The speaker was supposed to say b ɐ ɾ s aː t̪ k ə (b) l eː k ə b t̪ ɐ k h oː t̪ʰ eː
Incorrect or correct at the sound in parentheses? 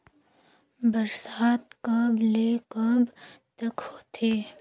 correct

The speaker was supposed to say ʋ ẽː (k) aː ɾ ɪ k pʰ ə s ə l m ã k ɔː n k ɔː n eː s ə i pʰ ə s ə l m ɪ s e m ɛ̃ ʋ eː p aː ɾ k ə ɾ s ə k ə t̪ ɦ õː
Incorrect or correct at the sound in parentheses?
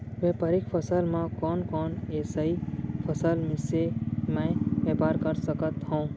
incorrect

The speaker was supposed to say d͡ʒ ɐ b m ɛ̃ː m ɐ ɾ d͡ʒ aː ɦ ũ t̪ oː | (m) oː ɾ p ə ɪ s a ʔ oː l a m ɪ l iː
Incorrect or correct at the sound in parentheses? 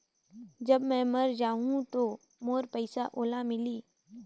correct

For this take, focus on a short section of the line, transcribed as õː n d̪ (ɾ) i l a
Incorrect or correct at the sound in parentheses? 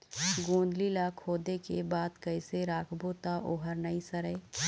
incorrect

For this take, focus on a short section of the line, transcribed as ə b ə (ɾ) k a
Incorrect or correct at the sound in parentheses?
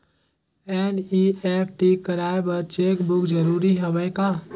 incorrect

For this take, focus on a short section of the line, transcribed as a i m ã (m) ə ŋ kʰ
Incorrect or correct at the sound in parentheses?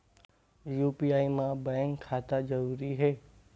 incorrect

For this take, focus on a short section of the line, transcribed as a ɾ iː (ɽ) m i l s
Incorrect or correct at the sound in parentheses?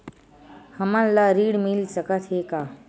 correct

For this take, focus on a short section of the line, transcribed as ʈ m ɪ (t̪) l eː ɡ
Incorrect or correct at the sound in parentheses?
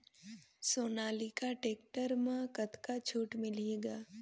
incorrect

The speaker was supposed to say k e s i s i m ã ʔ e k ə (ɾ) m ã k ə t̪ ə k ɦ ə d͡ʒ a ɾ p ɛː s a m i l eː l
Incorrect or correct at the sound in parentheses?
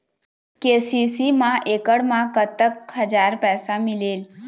incorrect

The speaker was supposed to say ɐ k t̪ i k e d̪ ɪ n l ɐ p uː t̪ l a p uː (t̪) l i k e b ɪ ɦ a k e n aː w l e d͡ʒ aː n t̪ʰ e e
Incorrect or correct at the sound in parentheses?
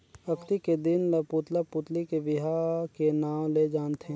correct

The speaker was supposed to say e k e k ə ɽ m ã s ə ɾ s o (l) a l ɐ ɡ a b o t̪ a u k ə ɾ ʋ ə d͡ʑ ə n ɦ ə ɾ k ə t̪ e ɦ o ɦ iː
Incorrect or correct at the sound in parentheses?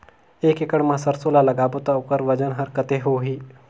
correct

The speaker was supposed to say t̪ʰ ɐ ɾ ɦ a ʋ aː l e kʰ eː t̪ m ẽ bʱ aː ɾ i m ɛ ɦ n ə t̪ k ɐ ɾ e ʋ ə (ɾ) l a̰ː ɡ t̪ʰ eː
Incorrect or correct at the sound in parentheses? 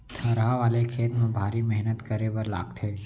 correct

